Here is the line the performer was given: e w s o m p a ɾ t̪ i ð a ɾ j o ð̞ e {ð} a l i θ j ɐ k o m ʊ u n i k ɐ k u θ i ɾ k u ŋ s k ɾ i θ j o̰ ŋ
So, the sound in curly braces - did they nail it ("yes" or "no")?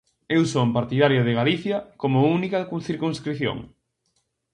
no